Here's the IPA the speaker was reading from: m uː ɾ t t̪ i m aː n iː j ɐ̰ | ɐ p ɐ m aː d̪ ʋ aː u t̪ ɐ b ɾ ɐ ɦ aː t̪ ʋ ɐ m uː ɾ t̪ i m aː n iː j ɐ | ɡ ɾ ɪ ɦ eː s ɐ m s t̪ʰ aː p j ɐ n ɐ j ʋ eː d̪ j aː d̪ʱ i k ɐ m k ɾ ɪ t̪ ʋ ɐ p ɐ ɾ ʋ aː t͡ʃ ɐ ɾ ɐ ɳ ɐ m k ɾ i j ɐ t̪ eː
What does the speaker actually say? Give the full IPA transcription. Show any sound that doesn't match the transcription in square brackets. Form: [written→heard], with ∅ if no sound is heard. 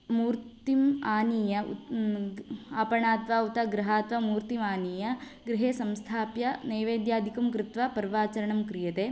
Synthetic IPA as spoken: m uː ɾ t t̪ i m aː n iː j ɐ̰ | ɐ p ɐ [m→ɳ] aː [d̪→t̪] ʋ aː u t̪ ɐ [b→ɡ] ɾ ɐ ɦ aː t̪ ʋ ɐ m uː ɾ t̪ i m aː n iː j ɐ | ɡ ɾ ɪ ɦ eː s ɐ m s t̪ʰ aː p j ɐ n ɐ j ʋ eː d̪ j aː d̪ʱ i k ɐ m k ɾ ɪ t̪ ʋ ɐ p ɐ ɾ ʋ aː t͡ʃ ɐ ɾ ɐ ɳ ɐ m k ɾ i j ɐ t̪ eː